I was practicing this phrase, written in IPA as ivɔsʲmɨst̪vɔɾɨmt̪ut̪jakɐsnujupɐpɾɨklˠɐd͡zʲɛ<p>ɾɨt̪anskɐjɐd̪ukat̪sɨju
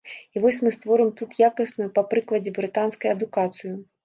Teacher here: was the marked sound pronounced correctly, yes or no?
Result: no